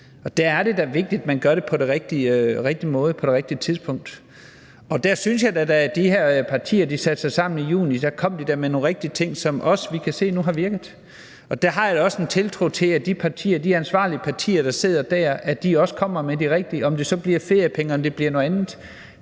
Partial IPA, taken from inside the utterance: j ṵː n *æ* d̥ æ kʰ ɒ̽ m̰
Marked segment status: incorrect: i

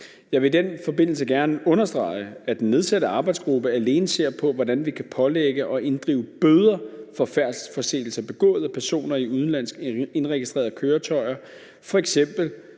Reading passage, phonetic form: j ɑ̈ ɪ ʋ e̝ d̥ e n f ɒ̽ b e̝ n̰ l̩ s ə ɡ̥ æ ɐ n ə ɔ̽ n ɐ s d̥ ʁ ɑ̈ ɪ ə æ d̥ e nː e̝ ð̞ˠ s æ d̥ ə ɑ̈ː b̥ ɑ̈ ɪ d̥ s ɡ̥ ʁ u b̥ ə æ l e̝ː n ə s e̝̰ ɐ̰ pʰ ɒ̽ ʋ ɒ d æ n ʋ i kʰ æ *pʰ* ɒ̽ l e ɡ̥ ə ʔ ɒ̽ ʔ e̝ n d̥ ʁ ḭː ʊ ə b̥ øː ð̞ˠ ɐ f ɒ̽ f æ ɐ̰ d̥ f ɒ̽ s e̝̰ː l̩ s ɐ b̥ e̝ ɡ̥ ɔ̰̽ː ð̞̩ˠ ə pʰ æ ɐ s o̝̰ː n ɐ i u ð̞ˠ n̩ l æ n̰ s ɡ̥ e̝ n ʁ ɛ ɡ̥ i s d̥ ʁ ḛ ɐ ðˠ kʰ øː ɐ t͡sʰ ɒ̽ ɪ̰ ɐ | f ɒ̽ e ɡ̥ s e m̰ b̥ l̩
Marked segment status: correct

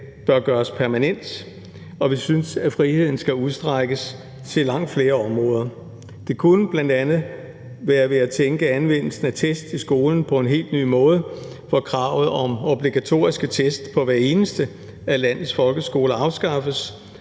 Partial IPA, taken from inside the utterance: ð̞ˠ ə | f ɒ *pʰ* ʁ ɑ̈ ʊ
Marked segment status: incorrect: kʰ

